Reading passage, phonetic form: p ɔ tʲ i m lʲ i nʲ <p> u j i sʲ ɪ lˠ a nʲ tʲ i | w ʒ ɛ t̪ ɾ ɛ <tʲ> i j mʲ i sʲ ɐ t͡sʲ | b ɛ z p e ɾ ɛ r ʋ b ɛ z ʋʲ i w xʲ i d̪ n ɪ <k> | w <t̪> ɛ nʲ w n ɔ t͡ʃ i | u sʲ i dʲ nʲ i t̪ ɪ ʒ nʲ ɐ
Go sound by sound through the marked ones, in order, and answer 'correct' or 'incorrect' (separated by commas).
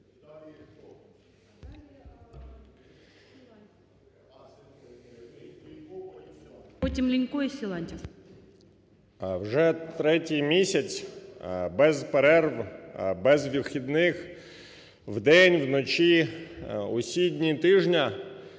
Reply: incorrect, correct, incorrect, incorrect